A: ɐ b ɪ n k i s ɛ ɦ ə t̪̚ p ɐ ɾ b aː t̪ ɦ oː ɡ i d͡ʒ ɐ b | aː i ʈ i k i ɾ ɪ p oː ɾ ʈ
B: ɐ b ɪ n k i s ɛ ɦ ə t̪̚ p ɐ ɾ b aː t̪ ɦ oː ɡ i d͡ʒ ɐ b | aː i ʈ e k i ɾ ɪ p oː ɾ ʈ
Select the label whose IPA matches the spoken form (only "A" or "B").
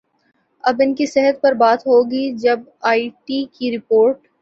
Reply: A